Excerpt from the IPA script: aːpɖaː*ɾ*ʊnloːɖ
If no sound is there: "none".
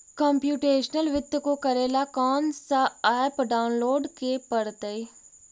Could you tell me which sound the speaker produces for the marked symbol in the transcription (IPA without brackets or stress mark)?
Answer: none